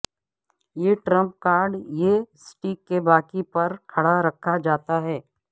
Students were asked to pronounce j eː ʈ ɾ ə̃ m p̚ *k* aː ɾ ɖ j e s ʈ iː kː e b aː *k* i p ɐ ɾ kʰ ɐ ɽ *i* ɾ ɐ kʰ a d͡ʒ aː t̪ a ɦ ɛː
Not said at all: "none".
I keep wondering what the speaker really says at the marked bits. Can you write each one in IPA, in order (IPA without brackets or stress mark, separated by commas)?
k, k, a